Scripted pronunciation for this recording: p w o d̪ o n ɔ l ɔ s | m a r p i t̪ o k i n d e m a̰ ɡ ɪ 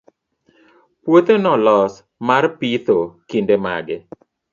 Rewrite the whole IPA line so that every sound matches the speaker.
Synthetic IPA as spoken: p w o t̪ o n ɔ l ɔ s | m a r p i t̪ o k i n d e m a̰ ɡ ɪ